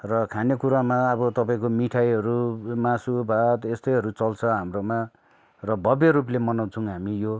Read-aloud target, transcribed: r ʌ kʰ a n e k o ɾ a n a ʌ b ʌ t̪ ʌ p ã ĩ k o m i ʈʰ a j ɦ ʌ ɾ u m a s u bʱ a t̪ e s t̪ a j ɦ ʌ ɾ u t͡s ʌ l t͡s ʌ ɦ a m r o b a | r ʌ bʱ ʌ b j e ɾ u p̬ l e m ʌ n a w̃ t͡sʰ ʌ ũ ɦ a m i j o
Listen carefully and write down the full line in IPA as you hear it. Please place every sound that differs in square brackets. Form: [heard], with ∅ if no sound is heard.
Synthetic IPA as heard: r ʌ kʰ a n e k [u] ɾ a [m] a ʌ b ʌ t̪ ʌ p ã ĩ k o m i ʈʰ a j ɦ ʌ ɾ u m a s u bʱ a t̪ e s t̪ [ʌ] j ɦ ʌ ɾ u t͡s ʌ l [t͡sʰ] ʌ ɦ a m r o [m] a | r ʌ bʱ ʌ b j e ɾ u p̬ l e m ʌ n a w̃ t͡sʰ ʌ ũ ɦ a m i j o